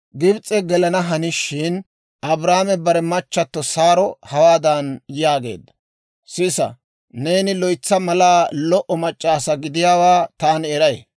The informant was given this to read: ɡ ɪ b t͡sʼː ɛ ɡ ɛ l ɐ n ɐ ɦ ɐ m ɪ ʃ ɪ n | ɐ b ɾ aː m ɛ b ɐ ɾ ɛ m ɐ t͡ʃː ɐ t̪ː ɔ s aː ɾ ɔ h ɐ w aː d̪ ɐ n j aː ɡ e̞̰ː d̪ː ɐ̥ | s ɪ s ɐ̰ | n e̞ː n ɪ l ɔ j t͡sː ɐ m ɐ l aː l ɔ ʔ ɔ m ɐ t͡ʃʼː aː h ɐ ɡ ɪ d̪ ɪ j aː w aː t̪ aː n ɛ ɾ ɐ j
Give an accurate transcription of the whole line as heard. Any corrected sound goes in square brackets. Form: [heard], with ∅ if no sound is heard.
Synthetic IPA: ɡ ɪ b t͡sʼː ɛ ɡ ɛ l ɐ n ɐ ɦ ɐ [n] ɪ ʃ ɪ n | ɐ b ɾ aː m ɛ b ɐ ɾ ɛ m ɐ t͡ʃː ɐ t̪ː ɔ s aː ɾ ɔ h ɐ w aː d̪ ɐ n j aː ɡ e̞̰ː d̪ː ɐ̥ | s ɪ s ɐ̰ | n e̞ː n ɪ l ɔ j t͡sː ɐ m ɐ l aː l ɔ ʔ ɔ m ɐ t͡ʃʼː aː [s] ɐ ɡ ɪ d̪ ɪ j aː w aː t̪ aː n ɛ ɾ ɐ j

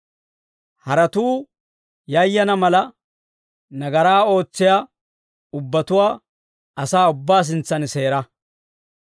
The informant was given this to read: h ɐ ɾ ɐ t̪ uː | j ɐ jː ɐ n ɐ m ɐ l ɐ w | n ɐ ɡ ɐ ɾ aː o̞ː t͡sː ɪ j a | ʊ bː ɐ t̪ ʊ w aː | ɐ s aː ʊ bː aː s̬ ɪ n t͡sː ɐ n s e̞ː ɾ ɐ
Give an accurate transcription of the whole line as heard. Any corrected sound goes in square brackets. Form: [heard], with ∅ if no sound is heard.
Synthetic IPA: h ɐ ɾ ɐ t̪ uː | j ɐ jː ɐ n ɐ m ɐ l ɐ [∅] | n ɐ ɡ ɐ ɾ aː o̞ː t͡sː ɪ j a | ʊ bː ɐ t̪ ʊ w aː | ɐ s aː ʊ bː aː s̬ ɪ n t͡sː ɐ n s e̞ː ɾ ɐ

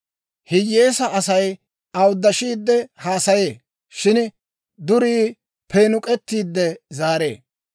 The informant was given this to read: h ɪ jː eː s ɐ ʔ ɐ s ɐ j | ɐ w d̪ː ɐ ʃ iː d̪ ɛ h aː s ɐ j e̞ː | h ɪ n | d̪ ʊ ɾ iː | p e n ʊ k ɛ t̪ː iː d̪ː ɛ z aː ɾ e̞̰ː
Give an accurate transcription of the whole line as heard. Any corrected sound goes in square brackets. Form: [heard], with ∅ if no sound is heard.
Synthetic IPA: h ɪ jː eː s ɐ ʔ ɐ s ɐ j | ɐ w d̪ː ɐ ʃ iː [d̪ː] ɛ h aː s ɐ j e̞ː | [ʃ] ɪ n | d̪ ʊ ɾ iː | p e n ʊ [kʼ] ɛ t̪ː iː d̪ː ɛ z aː ɾ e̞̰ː

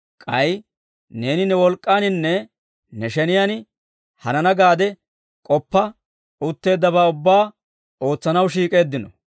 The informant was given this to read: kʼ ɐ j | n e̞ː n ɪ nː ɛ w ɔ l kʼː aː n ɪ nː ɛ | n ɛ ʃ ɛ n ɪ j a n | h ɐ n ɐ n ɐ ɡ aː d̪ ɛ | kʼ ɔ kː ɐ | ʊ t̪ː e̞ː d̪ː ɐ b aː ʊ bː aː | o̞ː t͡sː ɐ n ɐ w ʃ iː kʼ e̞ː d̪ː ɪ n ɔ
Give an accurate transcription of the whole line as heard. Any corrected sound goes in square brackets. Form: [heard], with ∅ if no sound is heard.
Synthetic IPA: kʼ ɐ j | n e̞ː n ɪ [n] ɛ w ɔ l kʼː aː n ɪ nː ɛ | n ɛ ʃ ɛ n ɪ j a n | h ɐ n ɐ n ɐ ɡ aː d̪ ɛ | kʼ ɔ [pː] ɐ | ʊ t̪ː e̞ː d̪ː ɐ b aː ʊ bː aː | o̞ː t͡sː ɐ n ɐ w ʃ iː kʼ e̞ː d̪ː ɪ n ɔ

